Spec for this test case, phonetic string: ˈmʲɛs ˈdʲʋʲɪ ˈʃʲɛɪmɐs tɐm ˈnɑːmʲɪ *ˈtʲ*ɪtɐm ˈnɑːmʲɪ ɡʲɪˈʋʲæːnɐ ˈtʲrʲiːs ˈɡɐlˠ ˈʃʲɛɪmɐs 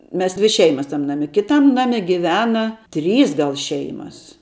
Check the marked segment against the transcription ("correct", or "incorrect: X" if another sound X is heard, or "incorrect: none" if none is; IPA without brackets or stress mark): incorrect: kʲ